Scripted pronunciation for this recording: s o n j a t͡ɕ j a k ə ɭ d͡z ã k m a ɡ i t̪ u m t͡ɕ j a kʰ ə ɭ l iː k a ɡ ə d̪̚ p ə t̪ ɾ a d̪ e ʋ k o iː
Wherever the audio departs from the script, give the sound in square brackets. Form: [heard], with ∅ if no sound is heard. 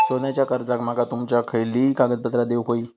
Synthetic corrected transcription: s o n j a t͡ɕ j a k ə [ɾ] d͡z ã k m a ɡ [a] t̪ u m t͡ɕ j a kʰ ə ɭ l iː k a ɡ ə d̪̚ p ə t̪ ɾ a d̪ e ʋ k o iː